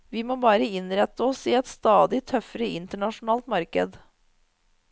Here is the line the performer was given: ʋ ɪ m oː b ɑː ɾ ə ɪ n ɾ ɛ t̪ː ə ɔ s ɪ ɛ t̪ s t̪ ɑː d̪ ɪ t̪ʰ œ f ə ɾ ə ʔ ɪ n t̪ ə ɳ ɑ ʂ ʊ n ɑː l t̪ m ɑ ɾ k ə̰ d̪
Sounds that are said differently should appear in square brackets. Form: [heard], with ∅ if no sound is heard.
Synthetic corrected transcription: ʋ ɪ m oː b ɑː ɾ ə ɪ n ɾ ɛ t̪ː ə ɔ s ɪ ɛ t̪ s t̪ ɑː d̪ ɪ t̪ʰ œ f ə ɾ ə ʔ ɪ n t̪ ə ɳ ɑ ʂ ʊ n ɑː l t̪ m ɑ ɾ k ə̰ d̪